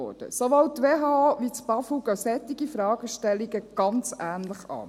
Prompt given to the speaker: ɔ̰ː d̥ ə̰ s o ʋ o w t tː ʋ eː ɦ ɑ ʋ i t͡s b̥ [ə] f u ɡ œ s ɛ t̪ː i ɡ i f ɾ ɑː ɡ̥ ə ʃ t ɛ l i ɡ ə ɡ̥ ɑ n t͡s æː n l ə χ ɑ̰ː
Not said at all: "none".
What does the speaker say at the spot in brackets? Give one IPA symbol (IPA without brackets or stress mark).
ɑ